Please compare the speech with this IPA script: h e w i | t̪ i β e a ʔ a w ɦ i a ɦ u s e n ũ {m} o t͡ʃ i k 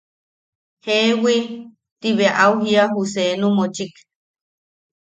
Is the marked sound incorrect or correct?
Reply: correct